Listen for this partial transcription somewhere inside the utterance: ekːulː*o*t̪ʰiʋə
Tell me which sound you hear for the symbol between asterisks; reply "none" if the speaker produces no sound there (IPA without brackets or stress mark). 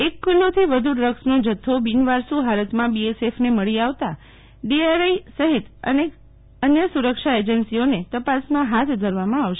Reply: o